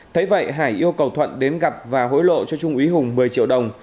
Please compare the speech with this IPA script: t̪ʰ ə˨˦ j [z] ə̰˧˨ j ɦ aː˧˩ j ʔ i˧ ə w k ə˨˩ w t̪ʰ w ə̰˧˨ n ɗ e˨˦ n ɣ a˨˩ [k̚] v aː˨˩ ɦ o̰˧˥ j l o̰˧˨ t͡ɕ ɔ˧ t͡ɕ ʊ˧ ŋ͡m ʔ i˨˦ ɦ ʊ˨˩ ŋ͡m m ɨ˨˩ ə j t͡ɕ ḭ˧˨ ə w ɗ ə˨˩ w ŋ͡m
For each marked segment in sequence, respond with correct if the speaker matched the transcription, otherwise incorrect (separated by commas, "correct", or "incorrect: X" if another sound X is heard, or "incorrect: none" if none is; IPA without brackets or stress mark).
incorrect: v, incorrect: p̚